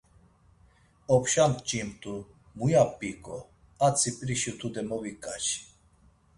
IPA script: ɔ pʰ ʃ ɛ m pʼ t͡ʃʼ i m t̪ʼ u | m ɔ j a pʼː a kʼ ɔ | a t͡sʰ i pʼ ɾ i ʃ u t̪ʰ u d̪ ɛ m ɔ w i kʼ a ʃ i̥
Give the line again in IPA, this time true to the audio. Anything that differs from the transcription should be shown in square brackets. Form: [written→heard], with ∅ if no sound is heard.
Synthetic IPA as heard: ɔ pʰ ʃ [ɛ→a] m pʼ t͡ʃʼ i m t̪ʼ u | m [ɔ→u] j a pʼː [a→i] kʼ ɔ | a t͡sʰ i pʼ ɾ i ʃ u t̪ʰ u d̪ ɛ m ɔ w i kʼ a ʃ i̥